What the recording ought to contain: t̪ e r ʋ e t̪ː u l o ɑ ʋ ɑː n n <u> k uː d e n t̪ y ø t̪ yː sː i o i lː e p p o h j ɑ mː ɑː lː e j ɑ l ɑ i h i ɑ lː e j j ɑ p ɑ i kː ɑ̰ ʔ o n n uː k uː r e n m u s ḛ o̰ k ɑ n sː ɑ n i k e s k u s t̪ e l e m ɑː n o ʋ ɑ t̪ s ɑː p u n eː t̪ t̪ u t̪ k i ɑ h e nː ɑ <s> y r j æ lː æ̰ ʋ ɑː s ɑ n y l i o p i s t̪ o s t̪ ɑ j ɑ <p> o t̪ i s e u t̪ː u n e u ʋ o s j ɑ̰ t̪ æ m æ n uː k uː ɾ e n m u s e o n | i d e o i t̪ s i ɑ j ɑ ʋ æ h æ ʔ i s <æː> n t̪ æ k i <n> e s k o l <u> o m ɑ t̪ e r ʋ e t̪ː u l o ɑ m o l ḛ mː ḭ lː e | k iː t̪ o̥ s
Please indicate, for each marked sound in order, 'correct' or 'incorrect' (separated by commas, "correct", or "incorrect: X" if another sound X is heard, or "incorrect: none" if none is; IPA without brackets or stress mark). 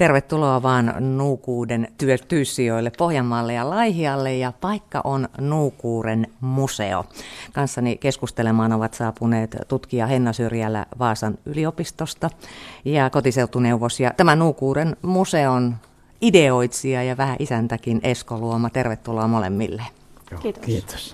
incorrect: uː, correct, incorrect: k, incorrect: æ, correct, correct